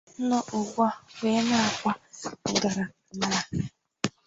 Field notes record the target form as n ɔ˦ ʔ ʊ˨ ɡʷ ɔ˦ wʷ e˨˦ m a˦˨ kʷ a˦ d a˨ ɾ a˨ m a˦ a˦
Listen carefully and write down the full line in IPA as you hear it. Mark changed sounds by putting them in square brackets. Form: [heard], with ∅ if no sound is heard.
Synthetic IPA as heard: n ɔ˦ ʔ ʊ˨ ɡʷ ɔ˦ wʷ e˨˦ [n] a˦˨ kʷ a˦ [ɡ] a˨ ɾ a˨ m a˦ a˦